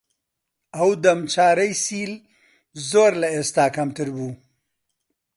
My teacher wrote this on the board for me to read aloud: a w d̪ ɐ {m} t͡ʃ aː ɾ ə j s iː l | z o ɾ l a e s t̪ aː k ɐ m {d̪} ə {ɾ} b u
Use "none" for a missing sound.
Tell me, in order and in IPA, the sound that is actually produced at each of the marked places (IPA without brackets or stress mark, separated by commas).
m, t̪, ɾ